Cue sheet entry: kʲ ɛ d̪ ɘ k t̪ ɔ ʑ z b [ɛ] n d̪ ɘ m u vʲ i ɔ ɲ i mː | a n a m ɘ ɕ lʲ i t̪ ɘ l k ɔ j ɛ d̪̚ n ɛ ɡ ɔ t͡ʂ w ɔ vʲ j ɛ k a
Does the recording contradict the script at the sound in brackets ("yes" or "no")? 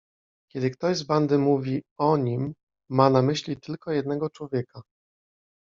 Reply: yes